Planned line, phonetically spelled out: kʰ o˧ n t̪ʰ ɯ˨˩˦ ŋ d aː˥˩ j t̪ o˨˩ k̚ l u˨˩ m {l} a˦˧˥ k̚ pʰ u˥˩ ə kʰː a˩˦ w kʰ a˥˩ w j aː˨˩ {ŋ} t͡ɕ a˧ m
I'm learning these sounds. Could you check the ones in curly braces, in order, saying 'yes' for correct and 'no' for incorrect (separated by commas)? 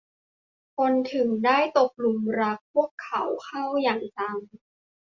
no, yes